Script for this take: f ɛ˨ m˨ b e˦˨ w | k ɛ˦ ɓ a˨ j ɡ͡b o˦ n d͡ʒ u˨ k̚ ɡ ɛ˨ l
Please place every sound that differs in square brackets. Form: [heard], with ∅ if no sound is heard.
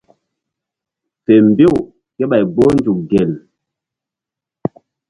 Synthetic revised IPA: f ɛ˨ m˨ b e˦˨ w | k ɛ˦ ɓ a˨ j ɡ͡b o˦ n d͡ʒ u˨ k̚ ɡ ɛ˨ l